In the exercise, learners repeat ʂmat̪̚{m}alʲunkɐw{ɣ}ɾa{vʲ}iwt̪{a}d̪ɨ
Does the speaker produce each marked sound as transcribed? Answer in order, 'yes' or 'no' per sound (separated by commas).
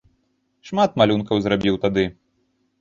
yes, no, no, yes